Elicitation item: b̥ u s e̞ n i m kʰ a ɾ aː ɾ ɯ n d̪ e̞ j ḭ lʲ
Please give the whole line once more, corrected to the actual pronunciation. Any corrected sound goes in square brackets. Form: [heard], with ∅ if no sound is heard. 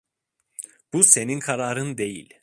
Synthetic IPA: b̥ u s e̞ n i [n] kʰ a ɾ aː ɾ ɯ n d̪ e̞ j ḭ lʲ